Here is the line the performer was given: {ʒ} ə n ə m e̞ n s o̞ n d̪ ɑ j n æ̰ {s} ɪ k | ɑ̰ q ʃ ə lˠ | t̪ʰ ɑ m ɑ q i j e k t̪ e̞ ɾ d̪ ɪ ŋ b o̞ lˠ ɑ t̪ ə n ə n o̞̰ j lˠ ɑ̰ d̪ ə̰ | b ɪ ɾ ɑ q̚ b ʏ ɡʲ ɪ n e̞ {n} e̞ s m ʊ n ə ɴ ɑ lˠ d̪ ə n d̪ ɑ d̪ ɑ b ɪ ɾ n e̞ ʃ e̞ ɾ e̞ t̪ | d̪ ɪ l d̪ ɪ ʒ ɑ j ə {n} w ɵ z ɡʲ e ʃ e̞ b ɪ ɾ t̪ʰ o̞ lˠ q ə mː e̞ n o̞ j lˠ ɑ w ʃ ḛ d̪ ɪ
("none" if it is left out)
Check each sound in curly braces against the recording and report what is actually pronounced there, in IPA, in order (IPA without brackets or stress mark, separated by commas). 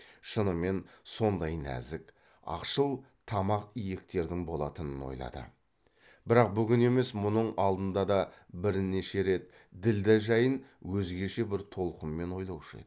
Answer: ʃ, z, m, n